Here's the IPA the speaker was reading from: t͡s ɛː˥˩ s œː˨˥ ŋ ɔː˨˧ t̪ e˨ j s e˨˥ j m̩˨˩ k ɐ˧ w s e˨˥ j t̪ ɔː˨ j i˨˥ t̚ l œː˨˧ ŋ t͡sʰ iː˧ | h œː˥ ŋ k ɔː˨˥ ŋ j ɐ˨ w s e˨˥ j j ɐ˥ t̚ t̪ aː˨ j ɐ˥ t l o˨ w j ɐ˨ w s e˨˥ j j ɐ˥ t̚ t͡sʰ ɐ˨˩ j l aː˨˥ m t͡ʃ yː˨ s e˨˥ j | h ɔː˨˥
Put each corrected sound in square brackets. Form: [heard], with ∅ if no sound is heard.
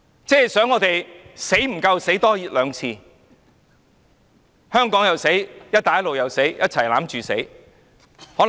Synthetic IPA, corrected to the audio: t͡s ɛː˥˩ s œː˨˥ ŋ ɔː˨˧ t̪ e˨ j s e˨˥ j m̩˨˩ k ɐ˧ w s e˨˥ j t̪ [ɔː˥] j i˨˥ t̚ l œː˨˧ ŋ t͡sʰ iː˧ | h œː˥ ŋ k ɔː˨˥ ŋ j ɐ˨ w s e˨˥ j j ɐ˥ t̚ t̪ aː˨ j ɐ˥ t l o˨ w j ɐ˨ w s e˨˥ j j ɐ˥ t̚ t͡sʰ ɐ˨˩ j l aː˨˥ m t͡ʃ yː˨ s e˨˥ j | h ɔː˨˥